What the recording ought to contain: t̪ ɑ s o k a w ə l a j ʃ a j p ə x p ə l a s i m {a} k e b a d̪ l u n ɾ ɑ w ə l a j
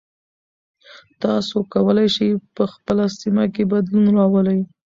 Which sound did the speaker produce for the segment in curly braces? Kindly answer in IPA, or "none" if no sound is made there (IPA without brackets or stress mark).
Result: a